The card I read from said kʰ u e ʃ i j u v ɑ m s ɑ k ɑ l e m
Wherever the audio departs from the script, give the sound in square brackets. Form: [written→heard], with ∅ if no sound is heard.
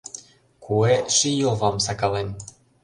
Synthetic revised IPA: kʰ u e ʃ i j [u→o] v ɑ m s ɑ k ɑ l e [m→n]